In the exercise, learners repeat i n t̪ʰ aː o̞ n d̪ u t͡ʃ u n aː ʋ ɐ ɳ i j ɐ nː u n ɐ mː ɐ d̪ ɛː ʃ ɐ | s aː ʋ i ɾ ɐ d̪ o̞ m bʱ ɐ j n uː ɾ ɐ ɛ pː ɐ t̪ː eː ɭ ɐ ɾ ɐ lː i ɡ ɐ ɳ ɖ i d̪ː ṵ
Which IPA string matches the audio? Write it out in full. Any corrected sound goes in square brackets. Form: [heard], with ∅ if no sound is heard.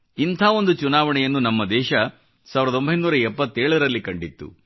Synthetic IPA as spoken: i n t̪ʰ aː o̞ n d̪ u t͡ʃ u n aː ʋ ɐ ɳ [ɛ] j ɐ nː u n ɐ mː ɐ d̪ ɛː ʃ ɐ | s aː ʋ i ɾ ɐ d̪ o̞ m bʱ ɐ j n uː ɾ ɐ ɛ pː ɐ t̪ː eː ɭ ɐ ɾ ɐ lː i [k] ɐ ɳ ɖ i [t̪ː] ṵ